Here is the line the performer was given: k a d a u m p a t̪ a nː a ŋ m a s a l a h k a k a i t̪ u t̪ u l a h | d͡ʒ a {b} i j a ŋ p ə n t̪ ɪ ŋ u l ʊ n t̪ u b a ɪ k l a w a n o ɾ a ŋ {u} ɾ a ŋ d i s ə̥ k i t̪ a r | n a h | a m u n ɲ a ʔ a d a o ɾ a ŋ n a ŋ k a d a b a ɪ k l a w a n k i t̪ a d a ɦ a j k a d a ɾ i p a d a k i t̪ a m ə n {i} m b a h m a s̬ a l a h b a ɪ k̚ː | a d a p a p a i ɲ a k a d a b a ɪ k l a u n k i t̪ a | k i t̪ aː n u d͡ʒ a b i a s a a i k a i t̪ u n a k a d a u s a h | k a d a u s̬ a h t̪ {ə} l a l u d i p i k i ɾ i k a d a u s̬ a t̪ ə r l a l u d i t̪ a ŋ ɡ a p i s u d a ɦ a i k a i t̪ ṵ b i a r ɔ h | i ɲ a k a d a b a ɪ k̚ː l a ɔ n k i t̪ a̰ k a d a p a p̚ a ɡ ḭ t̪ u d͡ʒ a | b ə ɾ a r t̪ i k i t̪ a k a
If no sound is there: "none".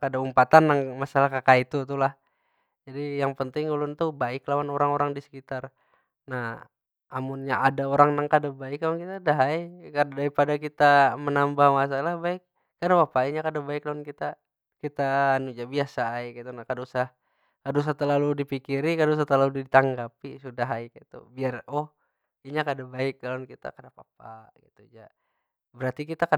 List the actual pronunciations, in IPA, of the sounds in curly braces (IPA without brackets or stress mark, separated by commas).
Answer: d, o, a, ə